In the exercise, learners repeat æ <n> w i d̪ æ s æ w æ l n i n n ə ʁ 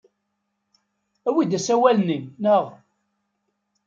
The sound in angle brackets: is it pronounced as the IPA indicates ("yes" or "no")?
no